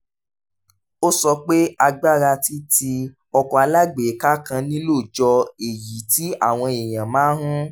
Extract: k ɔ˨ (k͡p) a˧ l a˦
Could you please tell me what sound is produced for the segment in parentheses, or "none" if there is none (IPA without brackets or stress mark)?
none